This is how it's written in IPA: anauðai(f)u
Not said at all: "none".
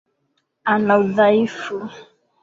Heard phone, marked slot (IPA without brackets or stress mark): f